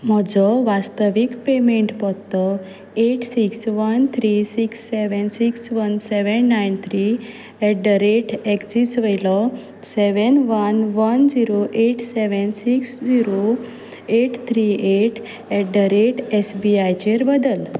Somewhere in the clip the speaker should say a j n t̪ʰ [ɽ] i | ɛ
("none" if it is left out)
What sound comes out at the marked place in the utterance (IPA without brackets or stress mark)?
ɾ